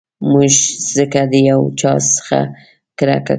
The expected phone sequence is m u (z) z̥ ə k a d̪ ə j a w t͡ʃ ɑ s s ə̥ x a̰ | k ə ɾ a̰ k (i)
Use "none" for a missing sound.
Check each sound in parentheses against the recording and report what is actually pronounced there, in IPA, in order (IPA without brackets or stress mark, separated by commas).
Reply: ʒ, a